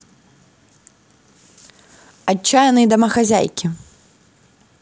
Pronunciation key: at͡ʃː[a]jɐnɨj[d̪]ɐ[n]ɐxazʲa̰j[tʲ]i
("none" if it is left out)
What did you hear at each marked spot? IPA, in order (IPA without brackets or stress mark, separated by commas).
a, d̪, m, kʲ